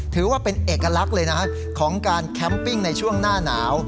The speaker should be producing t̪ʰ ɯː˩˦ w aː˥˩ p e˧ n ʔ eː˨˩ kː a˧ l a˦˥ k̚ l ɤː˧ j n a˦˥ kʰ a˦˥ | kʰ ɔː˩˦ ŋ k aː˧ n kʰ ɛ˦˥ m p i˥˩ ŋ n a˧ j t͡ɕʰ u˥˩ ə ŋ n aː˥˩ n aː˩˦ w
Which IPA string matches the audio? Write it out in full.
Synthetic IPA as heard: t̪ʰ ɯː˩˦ w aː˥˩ p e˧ n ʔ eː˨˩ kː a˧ l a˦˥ k̚ l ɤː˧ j n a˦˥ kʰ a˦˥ | kʰ ɔː˩˦ ŋ k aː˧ n kʰ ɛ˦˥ m p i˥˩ ŋ n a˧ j t͡ɕʰ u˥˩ ə ŋ n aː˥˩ n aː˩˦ w